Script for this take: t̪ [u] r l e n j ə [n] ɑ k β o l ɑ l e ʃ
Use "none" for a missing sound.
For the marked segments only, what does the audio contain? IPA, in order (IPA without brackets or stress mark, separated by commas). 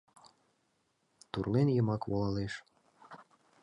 u, m